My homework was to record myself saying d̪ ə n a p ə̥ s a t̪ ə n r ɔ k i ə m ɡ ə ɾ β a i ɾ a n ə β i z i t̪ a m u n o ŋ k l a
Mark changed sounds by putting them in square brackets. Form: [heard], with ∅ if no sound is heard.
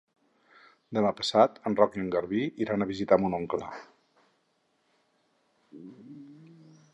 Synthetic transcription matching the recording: d̪ ə [m] a p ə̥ s a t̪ ə n r ɔ k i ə [ŋ] ɡ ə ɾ β [i] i ɾ a n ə β i z i t̪ a m u n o ŋ k l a